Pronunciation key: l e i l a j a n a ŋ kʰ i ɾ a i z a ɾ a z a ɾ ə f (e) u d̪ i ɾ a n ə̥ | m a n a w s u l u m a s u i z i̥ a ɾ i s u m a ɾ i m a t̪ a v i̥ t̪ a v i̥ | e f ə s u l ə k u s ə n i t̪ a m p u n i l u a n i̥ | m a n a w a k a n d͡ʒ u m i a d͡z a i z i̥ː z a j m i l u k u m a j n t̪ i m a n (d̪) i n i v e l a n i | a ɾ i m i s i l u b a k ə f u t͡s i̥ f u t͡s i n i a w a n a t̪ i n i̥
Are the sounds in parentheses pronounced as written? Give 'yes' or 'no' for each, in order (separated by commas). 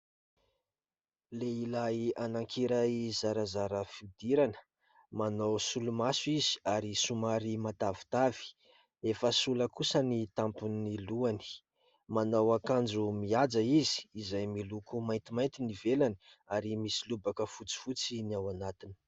no, no